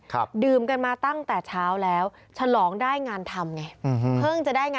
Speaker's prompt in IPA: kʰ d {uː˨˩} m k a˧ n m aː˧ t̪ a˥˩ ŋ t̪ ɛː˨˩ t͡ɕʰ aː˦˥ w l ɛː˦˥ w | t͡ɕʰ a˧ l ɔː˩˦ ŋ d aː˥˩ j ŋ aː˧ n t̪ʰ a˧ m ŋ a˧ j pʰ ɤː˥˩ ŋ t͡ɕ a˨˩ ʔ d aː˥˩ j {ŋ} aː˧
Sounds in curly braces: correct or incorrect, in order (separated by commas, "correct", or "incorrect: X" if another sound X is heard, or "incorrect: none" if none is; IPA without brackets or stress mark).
incorrect: ɯː˨˩, correct